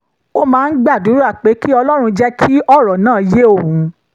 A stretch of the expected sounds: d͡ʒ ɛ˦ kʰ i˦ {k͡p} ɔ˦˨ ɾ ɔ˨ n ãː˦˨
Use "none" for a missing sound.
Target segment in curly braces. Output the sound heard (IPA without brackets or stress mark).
none